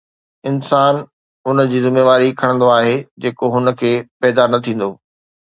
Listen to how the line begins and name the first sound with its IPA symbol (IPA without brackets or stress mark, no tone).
ɪ